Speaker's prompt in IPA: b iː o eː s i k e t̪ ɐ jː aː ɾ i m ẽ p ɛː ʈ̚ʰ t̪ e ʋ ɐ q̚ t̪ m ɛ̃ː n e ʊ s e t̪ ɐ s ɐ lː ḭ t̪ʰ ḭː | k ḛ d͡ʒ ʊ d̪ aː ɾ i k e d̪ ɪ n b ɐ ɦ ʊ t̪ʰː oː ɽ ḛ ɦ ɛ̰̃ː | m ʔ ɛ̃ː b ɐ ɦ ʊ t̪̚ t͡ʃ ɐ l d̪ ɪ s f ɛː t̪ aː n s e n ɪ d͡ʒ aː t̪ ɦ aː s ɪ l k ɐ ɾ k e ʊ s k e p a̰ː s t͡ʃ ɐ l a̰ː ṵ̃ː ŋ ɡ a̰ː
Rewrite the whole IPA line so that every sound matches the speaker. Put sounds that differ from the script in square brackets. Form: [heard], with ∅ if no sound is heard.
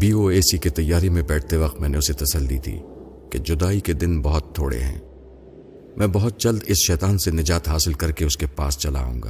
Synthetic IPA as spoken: b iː o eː s i k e t̪ ɐ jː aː ɾ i m ẽ [b] ɛː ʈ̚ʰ t̪ e ʋ ɐ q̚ t̪ m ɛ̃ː n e ʊ s e t̪ ɐ s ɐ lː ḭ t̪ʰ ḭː | k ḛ d͡ʒ ʊ d̪ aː [∅] i k e d̪ ɪ n b ɐ ɦ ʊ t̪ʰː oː ɽ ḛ ɦ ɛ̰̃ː | m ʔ ɛ̃ː b ɐ ɦ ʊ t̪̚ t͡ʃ ɐ l d̪ ɪ s [ʃ] ɛː t̪ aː n s e n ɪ d͡ʒ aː t̪ ɦ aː s ɪ l k ɐ ɾ k e ʊ s k e p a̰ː s t͡ʃ ɐ l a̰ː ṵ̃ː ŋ ɡ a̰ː